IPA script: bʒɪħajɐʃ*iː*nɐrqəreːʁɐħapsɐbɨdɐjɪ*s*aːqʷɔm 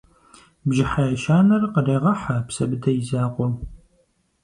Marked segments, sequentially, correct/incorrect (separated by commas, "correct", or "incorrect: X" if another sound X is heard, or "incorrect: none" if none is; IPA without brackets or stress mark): incorrect: aː, incorrect: z